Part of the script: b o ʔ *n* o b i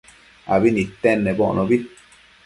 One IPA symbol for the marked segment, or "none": n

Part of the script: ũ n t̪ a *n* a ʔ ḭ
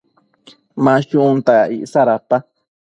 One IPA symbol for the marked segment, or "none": none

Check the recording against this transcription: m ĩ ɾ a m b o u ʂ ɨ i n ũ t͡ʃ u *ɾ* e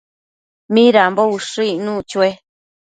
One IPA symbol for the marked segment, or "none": none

